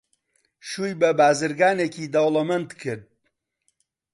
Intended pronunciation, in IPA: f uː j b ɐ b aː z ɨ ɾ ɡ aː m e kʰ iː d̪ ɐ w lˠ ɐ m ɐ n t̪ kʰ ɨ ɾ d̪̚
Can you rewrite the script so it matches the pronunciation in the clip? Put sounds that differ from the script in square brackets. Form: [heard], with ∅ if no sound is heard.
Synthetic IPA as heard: [ʃ] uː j b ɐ b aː z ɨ ɾ ɡ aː [n] e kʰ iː d̪ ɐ w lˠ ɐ m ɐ n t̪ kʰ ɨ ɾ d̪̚